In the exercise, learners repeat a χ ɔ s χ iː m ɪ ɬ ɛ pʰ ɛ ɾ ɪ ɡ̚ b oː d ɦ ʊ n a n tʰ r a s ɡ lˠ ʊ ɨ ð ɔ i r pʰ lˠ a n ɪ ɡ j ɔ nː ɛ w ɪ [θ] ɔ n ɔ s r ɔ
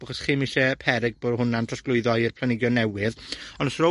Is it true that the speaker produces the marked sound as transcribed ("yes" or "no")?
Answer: no